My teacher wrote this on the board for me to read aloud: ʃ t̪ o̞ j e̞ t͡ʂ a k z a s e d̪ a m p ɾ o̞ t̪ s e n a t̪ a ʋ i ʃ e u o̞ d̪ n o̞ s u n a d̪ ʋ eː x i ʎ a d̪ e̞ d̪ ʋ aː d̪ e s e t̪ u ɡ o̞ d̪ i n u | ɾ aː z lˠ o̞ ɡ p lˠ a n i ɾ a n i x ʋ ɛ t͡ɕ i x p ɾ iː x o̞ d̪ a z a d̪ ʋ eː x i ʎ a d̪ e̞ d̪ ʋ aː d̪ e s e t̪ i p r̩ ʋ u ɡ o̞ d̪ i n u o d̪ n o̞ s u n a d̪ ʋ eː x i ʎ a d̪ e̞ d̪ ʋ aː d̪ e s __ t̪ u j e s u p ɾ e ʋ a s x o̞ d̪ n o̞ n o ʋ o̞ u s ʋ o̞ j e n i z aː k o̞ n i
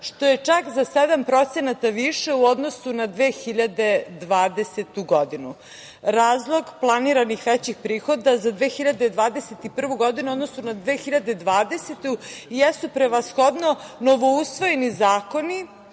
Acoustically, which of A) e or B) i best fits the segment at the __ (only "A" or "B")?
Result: A